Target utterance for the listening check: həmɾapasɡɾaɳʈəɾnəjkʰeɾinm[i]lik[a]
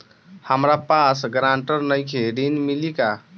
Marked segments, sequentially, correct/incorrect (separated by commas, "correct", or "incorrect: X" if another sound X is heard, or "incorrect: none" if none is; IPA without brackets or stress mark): correct, correct